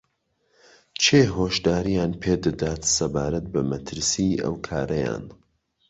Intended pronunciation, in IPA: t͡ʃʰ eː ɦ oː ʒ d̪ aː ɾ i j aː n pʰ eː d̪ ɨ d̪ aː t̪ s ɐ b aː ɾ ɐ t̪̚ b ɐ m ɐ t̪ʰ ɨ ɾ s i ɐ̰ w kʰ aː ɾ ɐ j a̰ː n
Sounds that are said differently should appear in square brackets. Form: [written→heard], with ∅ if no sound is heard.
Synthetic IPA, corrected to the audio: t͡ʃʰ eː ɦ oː [ʒ→ʃ] d̪ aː ɾ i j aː n pʰ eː d̪ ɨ d̪ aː t̪ s ɐ b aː ɾ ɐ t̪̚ b ɐ m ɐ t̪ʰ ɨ ɾ s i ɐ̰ w kʰ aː ɾ ɐ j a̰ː n